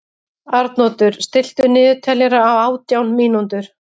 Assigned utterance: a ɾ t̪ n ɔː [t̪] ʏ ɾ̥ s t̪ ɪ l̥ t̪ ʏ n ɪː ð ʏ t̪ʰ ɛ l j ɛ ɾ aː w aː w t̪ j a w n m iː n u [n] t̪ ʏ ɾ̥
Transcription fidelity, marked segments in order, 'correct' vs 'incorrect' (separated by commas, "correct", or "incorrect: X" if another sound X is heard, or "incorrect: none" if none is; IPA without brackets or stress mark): correct, correct